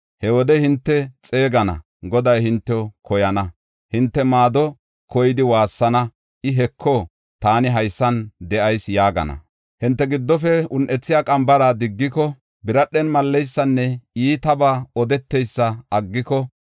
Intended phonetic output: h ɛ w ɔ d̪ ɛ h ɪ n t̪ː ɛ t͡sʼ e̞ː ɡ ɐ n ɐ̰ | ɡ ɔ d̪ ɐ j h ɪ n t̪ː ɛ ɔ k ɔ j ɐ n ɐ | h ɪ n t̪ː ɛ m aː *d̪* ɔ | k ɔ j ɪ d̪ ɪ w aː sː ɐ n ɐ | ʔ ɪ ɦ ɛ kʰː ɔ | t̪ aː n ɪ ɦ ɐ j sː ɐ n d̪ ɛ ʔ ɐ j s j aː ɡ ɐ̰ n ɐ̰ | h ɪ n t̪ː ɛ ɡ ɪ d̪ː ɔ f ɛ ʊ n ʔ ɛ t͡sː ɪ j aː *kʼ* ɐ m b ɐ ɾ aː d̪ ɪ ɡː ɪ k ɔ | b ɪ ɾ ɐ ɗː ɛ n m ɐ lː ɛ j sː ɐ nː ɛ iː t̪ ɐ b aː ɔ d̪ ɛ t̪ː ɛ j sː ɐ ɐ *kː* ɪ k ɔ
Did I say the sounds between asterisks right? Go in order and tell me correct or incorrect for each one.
correct, correct, incorrect

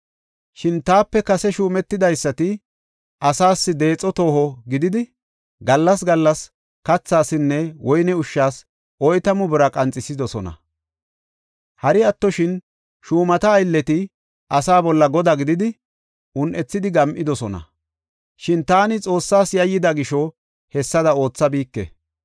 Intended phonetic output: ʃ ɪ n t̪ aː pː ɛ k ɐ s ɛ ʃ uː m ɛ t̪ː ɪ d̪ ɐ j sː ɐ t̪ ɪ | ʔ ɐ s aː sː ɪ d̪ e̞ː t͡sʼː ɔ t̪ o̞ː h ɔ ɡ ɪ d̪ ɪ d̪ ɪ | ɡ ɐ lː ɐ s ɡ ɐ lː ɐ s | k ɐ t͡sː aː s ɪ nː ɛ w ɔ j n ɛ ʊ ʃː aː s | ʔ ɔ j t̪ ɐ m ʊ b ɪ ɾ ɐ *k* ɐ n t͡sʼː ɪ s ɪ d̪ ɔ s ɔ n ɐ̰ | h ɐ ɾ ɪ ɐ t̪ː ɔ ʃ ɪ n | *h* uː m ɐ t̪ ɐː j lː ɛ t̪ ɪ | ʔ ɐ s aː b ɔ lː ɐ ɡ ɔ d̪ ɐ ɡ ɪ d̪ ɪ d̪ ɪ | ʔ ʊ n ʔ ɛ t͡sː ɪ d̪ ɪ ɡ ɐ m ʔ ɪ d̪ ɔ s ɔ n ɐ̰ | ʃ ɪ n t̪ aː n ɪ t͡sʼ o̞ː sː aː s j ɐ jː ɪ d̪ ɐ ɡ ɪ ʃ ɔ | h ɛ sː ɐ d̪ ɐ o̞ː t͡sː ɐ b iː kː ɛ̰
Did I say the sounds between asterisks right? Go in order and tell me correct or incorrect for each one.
incorrect, incorrect

